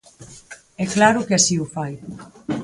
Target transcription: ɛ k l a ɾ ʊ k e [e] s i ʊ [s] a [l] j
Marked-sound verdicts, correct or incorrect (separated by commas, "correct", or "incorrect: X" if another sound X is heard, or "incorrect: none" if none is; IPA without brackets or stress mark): incorrect: a, incorrect: f, incorrect: none